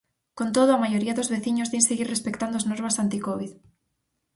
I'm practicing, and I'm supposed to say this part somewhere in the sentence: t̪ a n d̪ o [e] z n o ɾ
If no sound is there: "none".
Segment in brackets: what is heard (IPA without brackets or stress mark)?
a